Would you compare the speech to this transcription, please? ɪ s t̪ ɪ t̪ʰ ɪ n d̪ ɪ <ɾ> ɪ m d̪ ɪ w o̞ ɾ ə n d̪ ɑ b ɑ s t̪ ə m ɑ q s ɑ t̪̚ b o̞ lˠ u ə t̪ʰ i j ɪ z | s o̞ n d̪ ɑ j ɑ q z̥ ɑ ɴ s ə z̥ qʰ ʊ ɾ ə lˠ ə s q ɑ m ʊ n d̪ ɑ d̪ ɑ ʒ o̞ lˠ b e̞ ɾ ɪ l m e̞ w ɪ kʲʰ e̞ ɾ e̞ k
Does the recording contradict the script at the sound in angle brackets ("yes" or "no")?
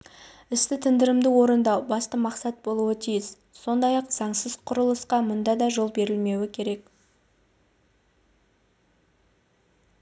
no